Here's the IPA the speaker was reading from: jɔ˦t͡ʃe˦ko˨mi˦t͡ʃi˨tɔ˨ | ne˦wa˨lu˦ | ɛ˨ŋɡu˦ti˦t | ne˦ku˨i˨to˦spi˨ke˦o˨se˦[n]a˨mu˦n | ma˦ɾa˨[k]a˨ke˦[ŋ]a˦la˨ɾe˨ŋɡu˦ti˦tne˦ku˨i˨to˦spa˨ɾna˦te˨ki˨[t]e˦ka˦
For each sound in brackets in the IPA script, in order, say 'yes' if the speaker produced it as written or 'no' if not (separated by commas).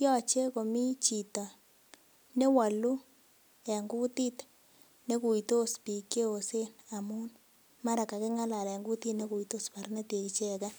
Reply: yes, yes, yes, no